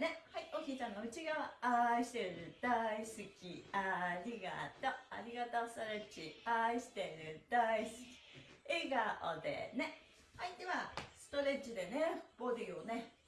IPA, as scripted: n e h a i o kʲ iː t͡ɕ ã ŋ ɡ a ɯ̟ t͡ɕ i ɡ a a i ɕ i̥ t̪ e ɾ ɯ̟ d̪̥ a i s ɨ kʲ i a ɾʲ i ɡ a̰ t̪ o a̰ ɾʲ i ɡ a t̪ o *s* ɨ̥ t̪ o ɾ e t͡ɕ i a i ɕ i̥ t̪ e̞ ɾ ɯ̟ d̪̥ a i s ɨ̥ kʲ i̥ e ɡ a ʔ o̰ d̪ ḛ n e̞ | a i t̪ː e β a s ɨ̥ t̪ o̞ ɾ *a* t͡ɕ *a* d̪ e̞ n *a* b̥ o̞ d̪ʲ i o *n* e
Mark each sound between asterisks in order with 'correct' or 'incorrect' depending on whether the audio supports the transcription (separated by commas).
correct, incorrect, incorrect, incorrect, correct